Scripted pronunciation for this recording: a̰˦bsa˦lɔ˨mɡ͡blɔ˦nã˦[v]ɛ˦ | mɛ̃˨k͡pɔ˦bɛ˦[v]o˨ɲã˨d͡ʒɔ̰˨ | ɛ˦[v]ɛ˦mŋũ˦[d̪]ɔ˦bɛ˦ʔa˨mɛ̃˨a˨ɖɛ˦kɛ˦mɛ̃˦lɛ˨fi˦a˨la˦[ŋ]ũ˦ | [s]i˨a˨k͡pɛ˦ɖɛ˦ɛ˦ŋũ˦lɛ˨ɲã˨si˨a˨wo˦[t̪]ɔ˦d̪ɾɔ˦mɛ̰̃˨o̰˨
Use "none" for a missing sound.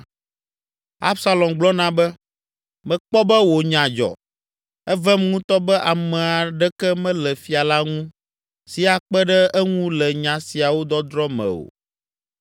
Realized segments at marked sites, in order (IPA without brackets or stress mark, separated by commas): b, w, v, t̪, ŋ, s, d̪